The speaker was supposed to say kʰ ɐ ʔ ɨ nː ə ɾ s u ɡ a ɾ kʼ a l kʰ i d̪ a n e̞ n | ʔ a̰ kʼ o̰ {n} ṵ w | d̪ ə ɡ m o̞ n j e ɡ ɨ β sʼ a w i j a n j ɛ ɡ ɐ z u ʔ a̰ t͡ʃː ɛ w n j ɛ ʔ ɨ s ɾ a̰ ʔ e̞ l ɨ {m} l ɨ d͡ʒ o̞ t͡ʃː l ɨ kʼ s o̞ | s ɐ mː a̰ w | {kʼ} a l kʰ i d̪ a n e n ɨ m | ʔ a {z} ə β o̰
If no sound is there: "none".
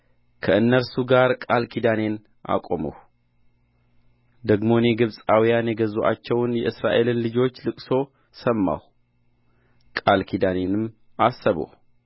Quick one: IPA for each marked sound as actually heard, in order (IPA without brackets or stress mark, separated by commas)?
m, n, kʼ, s